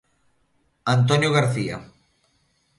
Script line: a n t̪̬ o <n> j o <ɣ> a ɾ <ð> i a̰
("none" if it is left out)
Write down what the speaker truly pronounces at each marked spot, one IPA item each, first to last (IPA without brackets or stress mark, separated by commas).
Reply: n, ɣ, θ